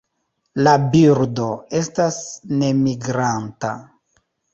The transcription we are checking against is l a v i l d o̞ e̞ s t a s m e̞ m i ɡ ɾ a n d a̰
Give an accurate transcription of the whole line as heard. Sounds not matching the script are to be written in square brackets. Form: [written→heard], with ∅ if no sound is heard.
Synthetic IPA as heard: l a [v→b] i [l→ɾ] d o̞ e̞ s t a s [m→n] e̞ m i ɡ ɾ a n [d→t] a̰